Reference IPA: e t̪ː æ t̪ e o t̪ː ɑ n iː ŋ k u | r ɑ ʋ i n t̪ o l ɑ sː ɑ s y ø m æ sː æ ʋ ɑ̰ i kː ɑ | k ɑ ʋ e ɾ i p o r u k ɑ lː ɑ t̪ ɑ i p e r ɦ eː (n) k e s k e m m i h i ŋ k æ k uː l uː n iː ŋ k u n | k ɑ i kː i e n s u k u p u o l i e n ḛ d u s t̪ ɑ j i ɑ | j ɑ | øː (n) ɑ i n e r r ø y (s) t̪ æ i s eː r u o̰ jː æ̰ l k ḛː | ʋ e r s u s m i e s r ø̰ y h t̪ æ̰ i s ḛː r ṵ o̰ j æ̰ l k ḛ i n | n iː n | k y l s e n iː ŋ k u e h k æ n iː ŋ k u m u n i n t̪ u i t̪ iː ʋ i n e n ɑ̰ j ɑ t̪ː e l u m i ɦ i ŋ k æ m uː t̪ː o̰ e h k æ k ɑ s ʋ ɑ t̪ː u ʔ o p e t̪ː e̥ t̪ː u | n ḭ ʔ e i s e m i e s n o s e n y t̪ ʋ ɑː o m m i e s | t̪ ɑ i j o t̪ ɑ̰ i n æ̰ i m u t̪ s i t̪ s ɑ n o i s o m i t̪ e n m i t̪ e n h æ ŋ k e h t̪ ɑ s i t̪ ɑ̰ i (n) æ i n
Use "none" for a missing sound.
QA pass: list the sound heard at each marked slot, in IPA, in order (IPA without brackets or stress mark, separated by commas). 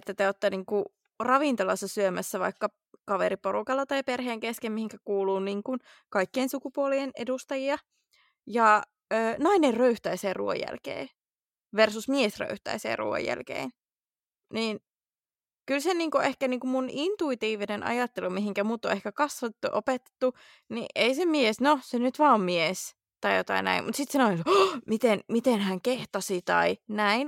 ŋ, n, h, n